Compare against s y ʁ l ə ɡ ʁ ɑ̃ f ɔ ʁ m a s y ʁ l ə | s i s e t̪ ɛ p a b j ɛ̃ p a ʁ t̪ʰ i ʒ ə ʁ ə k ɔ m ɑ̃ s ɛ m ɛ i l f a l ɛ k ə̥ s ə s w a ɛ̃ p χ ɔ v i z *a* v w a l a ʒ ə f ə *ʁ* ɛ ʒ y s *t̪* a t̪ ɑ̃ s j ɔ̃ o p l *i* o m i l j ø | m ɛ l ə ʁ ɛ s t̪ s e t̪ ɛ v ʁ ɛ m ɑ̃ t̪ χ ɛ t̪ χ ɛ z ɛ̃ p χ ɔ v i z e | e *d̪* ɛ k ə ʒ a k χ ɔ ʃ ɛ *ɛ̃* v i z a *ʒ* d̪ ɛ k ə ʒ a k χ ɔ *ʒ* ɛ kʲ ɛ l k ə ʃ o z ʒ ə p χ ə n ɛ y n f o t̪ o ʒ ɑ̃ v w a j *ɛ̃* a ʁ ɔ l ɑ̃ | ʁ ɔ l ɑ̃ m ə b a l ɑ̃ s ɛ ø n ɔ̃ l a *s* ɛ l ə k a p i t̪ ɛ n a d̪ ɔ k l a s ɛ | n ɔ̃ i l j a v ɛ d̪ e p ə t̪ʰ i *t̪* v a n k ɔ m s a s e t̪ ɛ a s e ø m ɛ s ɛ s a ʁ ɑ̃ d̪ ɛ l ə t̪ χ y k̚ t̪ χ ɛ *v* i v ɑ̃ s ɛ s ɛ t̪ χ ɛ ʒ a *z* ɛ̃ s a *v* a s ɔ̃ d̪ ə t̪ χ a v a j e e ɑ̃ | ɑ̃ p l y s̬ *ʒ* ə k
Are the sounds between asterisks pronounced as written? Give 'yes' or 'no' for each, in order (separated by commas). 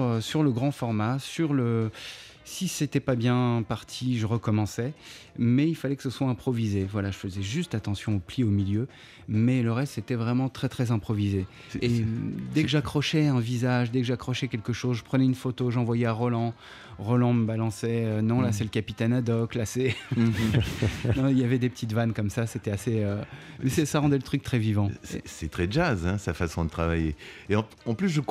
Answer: no, no, yes, yes, yes, yes, yes, no, no, yes, yes, yes, yes, no, yes